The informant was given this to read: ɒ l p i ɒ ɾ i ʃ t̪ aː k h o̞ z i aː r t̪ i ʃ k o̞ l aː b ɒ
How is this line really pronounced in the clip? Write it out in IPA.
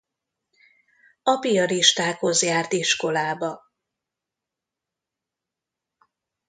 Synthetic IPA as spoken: ɒ p i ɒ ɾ i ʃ t̪ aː k h o̞ z j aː r t̪ i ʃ k o̞ l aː b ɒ